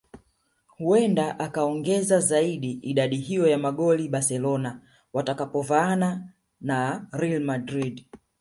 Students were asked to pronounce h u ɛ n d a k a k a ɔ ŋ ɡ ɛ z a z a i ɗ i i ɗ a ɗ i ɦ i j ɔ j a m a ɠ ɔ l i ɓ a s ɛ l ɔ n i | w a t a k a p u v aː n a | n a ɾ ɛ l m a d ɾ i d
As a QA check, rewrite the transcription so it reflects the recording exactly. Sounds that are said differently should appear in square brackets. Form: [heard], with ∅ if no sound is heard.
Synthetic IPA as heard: h u ɛ n d a [ʔ] a k a ɔ ŋ ɡ ɛ z a z a i ɗ i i ɗ a ɗ i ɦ i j ɔ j a m a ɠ ɔ l i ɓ a s ɛ l ɔ n [a] | w a t a k a p [ɔ] v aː n a | n a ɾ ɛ l m a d ɾ i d